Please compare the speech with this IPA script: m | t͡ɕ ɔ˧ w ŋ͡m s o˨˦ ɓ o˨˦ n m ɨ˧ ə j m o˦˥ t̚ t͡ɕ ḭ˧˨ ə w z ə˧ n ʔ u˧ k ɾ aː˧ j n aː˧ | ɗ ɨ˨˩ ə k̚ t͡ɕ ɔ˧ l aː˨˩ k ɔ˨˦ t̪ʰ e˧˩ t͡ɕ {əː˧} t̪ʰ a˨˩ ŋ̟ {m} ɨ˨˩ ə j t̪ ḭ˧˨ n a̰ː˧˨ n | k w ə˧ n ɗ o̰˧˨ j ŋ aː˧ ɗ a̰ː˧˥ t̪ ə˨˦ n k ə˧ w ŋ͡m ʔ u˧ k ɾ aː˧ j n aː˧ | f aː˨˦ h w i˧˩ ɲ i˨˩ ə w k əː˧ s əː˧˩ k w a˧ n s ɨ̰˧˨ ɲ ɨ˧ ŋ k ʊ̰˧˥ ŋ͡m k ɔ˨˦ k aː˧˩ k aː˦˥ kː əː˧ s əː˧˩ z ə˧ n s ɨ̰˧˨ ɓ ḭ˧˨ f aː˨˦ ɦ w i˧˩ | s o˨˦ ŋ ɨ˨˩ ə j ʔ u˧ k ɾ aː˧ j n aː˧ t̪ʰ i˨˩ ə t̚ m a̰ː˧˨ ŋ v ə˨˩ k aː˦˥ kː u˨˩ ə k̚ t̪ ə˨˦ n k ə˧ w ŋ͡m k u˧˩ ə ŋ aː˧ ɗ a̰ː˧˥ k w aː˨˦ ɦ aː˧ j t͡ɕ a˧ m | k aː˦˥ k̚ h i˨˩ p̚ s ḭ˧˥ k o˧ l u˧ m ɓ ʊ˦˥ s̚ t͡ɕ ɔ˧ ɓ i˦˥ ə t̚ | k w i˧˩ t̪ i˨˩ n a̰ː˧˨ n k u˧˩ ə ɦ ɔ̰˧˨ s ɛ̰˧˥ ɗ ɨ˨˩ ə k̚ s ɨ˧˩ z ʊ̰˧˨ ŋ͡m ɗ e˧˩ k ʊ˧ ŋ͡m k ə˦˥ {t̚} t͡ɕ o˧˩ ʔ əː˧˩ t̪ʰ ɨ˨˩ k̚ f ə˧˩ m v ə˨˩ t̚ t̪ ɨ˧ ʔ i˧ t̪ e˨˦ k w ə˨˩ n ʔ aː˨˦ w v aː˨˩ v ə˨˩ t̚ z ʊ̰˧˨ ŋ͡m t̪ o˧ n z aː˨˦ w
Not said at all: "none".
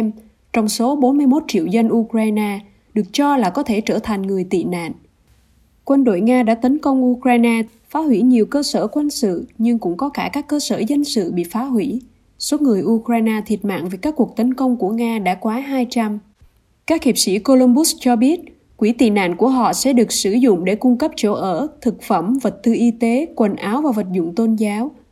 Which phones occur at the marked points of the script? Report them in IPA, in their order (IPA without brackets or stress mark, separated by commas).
əː˧˩, ŋ, p̚